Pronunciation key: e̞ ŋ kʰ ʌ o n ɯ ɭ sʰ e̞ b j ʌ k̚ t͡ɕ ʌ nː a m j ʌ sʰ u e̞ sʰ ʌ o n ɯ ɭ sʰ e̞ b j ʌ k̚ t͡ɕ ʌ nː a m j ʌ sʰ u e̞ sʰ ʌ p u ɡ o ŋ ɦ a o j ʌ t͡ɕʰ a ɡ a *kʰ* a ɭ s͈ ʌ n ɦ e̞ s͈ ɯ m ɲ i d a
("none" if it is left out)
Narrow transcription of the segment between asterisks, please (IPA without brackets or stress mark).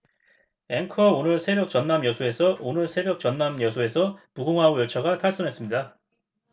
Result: tʰ